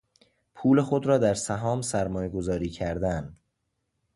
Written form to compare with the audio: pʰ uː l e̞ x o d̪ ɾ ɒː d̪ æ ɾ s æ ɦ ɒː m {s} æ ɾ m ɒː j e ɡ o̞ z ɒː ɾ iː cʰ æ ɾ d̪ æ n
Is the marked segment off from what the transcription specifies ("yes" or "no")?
no